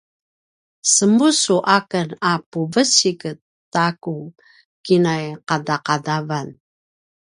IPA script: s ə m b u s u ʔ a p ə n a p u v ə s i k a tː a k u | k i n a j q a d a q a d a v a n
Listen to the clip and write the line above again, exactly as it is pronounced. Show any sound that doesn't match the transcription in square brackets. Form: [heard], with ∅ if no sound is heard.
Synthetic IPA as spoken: s ə m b u s u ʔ a [k] ə n a p u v ə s i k [ə] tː a k u | k i n a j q a d a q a d a v a n